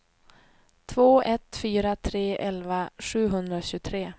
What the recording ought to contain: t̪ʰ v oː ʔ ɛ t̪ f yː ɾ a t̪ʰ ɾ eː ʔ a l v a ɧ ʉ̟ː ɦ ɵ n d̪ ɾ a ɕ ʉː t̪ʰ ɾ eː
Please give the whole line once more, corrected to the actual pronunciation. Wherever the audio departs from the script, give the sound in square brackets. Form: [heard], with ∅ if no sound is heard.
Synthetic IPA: t̪ʰ v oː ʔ ɛ t̪ f yː ɾ a t̪ʰ ɾ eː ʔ [ɛ] l v a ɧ ʉ̟ː ɦ ɵ n d̪ ɾ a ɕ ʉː t̪ʰ ɾ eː